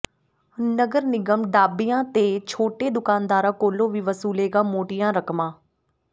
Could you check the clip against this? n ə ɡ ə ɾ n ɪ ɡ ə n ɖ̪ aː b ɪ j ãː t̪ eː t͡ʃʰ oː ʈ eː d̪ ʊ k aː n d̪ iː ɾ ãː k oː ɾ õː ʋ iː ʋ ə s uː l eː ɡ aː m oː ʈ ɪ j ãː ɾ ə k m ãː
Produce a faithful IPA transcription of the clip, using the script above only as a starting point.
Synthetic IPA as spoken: n ə ɡ ə ɾ n ɪ ɡ ə m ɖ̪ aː b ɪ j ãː t̪ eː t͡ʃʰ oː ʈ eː d̪ ʊ k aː n d̪ aː ɾ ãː k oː l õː ʋ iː ʋ ə s uː l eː ɡ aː m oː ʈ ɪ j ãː ɾ ə k m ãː

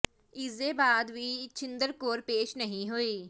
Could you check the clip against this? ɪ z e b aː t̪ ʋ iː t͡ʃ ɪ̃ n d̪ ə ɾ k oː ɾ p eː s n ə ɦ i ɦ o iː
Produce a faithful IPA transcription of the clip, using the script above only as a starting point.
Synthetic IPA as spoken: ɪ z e b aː d̪ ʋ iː t͡ʃ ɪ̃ n d̪ ə ɾ k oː ɾ p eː ʃ n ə ɦ ĩ ɦ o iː

